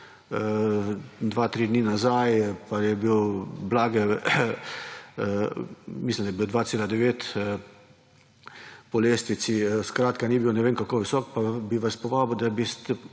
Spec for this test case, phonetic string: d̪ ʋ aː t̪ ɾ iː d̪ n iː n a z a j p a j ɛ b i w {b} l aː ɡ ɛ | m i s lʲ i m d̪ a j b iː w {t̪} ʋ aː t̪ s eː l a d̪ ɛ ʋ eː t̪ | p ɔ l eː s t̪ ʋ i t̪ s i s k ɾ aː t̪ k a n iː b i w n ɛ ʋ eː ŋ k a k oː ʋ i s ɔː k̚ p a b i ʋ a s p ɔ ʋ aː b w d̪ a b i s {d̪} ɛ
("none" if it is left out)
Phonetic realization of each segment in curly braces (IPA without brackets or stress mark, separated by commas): b, d̪, t̪